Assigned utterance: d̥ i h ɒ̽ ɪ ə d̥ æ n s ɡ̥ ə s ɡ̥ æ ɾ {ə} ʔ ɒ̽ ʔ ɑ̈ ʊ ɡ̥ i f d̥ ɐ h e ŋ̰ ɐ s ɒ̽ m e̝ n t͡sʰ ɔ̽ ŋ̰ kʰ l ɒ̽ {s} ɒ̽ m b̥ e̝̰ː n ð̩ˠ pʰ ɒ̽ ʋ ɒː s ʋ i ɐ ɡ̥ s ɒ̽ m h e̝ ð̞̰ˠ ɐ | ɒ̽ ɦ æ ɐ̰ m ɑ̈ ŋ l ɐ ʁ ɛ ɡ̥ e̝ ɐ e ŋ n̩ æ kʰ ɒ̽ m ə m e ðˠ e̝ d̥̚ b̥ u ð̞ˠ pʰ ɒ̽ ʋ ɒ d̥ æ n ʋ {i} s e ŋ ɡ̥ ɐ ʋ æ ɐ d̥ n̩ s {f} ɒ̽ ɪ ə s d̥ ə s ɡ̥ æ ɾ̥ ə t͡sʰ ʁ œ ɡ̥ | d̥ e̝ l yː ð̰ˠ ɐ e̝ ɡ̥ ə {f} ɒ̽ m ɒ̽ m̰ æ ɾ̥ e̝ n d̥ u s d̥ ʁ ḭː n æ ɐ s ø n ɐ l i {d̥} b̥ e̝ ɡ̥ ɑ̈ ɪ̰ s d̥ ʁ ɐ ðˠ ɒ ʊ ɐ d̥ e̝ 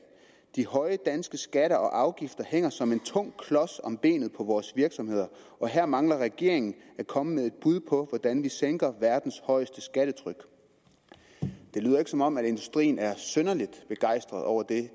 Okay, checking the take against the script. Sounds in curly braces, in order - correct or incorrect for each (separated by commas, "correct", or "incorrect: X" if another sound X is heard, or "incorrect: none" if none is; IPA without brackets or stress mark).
incorrect: ɐ, correct, correct, incorrect: h, incorrect: s, correct